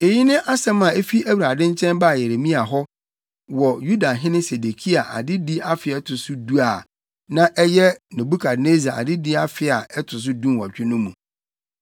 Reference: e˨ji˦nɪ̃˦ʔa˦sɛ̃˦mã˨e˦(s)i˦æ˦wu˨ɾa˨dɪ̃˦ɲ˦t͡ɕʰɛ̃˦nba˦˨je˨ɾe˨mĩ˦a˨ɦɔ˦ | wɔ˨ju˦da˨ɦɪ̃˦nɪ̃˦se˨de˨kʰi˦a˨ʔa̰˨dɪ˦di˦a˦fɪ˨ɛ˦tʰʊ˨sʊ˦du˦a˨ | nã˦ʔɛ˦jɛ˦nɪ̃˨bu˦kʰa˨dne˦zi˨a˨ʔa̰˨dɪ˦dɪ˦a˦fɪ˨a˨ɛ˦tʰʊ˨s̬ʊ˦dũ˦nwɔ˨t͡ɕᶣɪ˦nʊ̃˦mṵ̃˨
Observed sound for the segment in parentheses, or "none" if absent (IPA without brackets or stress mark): f